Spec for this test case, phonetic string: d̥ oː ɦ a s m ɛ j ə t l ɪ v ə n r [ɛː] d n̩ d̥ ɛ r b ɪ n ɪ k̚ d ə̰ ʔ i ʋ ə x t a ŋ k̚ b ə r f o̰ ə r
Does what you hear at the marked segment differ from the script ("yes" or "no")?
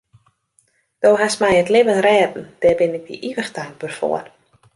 no